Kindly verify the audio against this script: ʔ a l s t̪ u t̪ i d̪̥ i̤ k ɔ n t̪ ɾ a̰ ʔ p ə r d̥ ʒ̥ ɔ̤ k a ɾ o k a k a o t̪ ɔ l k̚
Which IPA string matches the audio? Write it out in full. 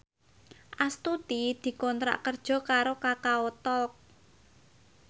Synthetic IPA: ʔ a s t̪ u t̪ i d̪̥ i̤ k ɔ n t̪ ɾ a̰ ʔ k ə r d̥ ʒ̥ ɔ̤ k a ɾ o k a k a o t̪ ɔ l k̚